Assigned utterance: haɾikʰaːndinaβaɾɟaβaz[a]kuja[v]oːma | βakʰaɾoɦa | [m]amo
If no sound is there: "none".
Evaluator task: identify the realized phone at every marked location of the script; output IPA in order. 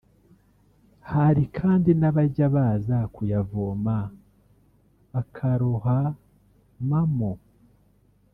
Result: a, v, m

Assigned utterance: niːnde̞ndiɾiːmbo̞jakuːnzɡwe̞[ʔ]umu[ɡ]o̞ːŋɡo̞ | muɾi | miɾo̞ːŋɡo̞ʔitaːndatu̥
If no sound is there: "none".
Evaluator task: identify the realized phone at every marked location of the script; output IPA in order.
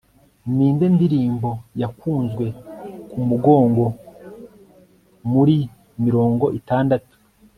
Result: k, ɡ

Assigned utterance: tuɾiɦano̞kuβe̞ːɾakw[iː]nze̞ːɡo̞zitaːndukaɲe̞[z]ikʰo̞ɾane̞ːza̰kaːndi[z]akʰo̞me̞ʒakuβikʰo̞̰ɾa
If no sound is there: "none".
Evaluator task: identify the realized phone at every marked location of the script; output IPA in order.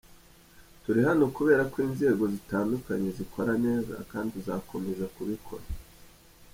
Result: iː, z, z

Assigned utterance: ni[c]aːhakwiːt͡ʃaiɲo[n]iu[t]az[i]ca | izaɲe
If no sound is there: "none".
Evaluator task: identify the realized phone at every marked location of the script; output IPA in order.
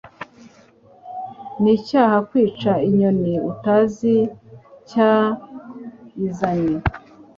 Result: c, n, t, i

